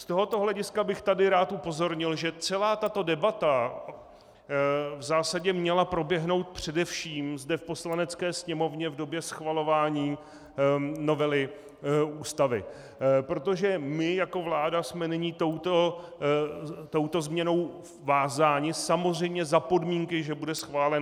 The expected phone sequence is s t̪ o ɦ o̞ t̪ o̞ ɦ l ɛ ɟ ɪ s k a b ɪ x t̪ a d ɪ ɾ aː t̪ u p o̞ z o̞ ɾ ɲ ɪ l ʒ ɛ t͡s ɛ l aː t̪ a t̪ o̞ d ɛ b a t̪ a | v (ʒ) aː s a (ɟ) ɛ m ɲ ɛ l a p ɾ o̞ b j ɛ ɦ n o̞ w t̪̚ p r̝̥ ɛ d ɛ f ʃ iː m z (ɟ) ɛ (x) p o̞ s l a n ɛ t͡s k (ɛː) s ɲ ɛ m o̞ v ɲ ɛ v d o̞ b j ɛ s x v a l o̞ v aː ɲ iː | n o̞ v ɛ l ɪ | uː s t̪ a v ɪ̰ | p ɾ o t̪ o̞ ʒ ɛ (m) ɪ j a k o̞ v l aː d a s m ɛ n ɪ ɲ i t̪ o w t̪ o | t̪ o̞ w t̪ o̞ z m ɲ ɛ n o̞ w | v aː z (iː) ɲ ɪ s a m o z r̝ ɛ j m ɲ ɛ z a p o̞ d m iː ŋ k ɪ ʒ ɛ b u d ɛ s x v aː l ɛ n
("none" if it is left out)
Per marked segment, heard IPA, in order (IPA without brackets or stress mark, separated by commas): z, ɟ, d, f, ɛː, m, aː